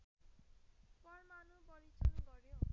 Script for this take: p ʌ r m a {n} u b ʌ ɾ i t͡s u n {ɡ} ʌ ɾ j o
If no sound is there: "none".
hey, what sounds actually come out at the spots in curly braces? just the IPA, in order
n, ɡ

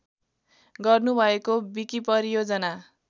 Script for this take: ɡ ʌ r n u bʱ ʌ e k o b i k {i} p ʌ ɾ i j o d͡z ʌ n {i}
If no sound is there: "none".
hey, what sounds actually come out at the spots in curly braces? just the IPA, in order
i, a

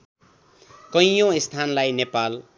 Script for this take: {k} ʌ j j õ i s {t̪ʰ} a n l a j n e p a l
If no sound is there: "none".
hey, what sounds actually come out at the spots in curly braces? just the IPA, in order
k, t̪ʰ

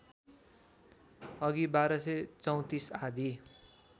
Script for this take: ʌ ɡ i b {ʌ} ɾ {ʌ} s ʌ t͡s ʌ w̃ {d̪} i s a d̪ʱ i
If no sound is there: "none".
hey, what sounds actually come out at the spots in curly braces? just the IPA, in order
a, ʌ, t̪

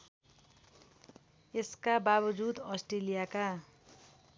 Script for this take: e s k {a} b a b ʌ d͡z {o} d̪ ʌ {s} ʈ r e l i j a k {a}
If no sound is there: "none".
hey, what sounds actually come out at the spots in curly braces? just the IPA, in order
a, u, s, a

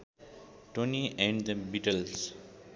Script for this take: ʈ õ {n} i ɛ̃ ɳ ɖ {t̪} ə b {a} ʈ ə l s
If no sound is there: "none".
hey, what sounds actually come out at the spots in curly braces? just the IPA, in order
n, d̪, i

